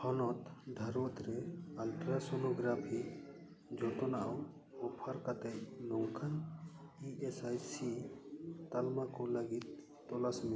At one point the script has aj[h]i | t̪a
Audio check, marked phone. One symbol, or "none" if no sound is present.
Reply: s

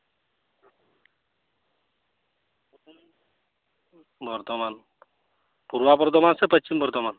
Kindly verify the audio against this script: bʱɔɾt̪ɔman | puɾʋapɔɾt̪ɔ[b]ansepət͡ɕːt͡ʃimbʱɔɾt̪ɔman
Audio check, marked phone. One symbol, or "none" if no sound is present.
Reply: m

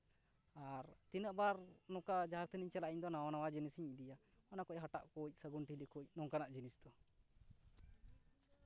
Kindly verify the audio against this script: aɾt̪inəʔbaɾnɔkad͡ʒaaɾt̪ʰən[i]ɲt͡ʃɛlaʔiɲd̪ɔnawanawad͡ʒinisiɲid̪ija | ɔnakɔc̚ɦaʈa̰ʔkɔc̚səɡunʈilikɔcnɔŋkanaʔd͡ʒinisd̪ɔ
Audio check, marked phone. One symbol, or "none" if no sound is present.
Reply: i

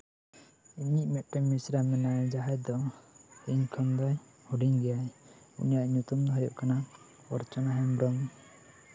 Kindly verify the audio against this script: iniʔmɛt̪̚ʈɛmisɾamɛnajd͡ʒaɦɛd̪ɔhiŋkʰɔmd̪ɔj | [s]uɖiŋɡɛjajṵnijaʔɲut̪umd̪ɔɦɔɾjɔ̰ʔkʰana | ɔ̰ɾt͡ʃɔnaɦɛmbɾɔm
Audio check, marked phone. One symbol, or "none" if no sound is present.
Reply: h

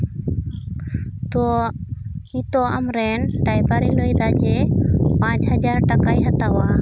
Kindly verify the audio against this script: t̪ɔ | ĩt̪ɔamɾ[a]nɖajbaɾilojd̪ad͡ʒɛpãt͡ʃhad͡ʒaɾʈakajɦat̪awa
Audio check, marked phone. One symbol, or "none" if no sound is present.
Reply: ɛ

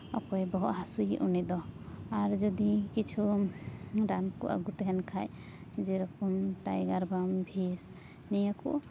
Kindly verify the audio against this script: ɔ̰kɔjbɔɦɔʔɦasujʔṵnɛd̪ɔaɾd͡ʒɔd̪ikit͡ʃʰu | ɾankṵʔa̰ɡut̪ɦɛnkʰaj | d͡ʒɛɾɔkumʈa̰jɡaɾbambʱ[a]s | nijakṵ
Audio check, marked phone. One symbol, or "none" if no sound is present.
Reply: i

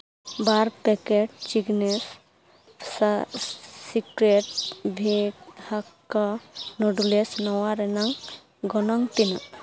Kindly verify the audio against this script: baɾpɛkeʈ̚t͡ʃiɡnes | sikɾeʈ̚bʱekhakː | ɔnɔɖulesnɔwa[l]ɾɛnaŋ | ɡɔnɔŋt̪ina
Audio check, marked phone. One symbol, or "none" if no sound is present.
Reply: none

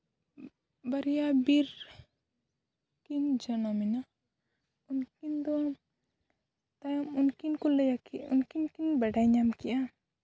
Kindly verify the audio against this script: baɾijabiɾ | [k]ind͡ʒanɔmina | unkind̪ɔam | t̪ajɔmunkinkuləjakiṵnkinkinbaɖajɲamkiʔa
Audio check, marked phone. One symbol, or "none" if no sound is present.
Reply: k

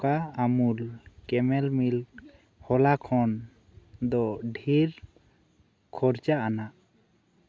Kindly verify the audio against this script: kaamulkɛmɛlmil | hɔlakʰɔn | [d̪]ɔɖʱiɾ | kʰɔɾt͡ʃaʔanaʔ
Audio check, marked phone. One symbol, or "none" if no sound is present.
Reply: d̪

